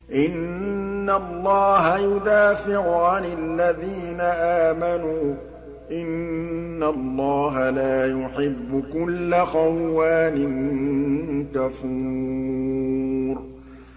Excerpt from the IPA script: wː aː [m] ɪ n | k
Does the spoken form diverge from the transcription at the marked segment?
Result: yes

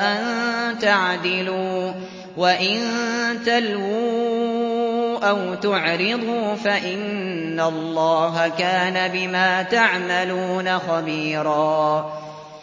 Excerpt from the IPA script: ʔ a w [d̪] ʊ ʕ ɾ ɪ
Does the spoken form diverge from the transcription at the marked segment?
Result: yes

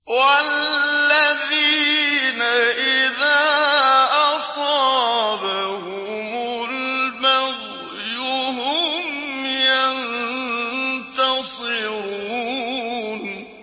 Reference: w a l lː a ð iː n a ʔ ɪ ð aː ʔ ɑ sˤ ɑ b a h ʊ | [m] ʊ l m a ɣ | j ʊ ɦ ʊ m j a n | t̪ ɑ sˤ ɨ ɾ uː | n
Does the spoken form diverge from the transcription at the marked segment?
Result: no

